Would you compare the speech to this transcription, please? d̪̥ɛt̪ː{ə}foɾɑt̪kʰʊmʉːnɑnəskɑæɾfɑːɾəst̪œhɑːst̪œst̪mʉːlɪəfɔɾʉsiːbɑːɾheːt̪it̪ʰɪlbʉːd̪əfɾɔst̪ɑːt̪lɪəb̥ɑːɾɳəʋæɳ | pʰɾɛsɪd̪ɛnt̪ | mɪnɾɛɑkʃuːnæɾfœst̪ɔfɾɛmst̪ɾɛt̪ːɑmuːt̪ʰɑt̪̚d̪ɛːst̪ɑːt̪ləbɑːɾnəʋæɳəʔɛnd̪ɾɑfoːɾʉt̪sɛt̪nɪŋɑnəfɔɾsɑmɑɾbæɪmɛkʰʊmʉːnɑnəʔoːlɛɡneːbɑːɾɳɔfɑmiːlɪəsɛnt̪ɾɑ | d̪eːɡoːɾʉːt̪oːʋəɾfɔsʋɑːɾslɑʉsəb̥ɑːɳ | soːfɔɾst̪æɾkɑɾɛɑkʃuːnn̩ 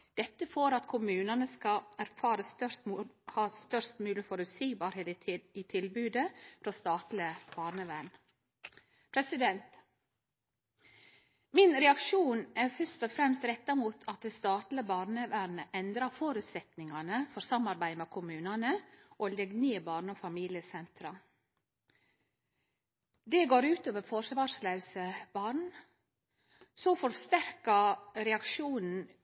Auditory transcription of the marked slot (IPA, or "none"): ə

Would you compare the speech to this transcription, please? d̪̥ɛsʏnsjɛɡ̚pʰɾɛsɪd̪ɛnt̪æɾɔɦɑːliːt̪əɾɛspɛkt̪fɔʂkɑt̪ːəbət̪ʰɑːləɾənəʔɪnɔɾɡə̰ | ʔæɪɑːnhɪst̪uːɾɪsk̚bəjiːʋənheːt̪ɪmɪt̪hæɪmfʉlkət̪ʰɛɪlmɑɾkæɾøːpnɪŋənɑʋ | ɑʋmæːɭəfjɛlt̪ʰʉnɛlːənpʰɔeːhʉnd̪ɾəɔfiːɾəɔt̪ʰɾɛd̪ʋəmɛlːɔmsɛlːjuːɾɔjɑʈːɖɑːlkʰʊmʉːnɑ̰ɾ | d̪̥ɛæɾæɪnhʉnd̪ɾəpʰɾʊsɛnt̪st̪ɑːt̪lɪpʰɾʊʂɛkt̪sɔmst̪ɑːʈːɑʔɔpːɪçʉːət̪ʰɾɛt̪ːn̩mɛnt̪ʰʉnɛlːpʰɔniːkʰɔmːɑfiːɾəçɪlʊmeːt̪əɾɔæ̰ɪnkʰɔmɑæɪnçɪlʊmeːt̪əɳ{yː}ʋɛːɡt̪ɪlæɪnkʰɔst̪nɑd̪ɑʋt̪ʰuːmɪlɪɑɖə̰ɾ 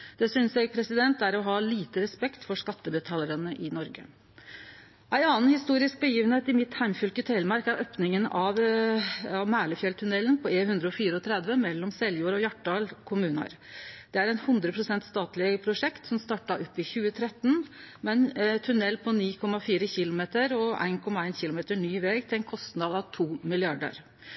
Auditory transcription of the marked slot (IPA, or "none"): yː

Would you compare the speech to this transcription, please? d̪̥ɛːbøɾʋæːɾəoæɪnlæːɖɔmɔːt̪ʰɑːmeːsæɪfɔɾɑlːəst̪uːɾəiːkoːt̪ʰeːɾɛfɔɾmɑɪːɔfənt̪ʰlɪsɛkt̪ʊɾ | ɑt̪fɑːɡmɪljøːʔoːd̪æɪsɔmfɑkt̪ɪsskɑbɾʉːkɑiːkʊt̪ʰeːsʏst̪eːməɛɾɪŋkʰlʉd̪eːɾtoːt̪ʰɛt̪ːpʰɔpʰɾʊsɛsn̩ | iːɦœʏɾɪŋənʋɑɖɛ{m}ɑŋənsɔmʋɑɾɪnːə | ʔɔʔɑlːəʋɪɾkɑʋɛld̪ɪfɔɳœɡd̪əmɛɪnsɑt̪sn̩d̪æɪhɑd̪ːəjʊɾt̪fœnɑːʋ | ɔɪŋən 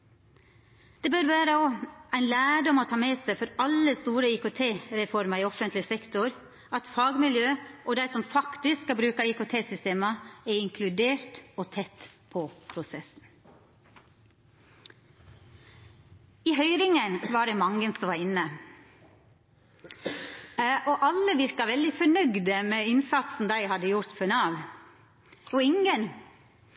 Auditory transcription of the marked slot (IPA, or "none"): m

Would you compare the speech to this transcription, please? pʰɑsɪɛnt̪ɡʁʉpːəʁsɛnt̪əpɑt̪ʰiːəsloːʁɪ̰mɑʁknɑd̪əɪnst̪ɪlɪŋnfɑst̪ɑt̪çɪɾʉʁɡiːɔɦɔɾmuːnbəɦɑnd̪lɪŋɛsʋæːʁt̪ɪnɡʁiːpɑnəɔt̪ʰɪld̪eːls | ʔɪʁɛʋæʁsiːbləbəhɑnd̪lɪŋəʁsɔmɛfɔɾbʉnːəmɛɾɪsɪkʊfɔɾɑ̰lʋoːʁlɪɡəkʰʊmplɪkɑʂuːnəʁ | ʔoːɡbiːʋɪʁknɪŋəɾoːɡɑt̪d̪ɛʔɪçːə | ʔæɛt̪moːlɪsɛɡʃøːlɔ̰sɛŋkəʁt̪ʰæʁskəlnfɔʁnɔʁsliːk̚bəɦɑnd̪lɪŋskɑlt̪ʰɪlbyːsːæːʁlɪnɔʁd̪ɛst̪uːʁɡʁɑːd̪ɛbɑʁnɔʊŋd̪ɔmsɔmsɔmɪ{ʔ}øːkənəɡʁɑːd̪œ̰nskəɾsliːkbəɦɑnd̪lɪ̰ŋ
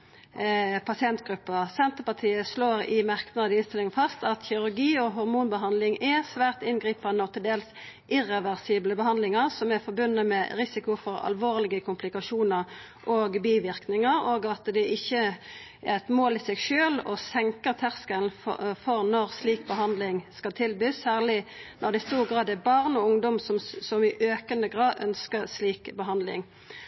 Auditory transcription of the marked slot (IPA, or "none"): ʔ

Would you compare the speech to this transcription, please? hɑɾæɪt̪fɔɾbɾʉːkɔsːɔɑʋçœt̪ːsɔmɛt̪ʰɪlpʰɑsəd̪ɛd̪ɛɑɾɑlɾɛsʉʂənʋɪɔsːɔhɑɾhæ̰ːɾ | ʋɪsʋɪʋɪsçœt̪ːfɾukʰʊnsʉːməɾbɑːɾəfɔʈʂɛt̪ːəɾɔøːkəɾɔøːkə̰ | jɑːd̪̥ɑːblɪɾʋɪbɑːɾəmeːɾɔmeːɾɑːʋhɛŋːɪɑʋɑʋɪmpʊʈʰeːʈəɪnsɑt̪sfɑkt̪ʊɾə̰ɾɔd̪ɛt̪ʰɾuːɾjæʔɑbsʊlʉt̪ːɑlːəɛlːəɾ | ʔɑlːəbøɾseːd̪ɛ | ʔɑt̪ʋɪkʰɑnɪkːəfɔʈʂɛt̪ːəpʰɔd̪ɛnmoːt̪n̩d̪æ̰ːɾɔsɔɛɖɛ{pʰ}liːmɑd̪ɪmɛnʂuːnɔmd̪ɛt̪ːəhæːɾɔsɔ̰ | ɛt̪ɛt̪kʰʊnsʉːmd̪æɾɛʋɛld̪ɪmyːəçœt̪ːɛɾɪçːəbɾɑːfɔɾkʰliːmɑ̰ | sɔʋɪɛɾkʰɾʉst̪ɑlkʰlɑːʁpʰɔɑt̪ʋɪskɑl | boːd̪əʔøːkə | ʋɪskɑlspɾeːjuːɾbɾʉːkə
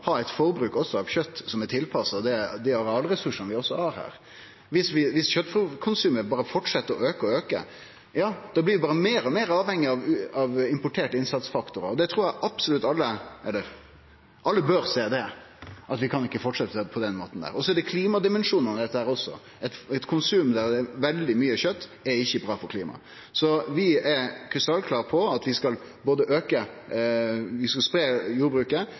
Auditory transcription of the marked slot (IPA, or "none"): kʰ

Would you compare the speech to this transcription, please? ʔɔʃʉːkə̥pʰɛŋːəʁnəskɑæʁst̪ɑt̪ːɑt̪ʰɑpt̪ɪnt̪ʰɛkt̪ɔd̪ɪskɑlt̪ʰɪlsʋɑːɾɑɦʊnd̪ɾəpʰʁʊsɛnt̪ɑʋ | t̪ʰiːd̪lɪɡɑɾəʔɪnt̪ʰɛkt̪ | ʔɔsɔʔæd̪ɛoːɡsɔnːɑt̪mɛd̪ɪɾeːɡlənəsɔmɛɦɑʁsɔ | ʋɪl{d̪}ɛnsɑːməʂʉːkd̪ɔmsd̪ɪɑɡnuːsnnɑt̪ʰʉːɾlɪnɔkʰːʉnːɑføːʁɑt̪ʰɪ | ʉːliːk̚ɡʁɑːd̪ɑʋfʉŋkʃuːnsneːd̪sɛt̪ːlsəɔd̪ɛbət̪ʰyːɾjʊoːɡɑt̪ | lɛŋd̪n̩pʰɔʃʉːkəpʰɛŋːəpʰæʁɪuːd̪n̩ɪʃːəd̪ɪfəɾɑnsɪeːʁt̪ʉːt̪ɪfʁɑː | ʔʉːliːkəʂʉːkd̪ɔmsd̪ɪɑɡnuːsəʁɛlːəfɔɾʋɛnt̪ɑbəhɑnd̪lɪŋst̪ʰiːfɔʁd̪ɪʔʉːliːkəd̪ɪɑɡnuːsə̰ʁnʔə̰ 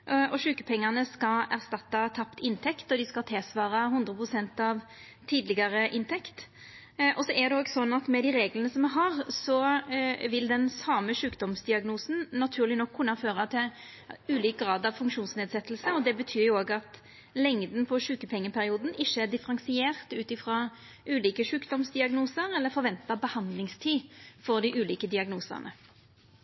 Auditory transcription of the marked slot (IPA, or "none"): d̪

